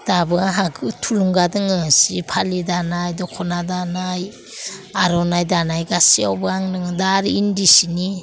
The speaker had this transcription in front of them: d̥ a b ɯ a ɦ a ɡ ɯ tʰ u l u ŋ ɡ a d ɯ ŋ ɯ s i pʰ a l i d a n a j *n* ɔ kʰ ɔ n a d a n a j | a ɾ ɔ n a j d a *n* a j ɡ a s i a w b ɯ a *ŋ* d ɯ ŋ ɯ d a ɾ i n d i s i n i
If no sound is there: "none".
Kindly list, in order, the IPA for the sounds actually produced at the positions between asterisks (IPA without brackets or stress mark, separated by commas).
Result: d, n, ŋ